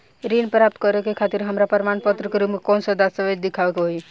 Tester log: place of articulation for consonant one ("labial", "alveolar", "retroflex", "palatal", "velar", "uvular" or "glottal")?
alveolar